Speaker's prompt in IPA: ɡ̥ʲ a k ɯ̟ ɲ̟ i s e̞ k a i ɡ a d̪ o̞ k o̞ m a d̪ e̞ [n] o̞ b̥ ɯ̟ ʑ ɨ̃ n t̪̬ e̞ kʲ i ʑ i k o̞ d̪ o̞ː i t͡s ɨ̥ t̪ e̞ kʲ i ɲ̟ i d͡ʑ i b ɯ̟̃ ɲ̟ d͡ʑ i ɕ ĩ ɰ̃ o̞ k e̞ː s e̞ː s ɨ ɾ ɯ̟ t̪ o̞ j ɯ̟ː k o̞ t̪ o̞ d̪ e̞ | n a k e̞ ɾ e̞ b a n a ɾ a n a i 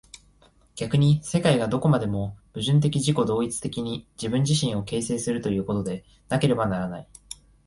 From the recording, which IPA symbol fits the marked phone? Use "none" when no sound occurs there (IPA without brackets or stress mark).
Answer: m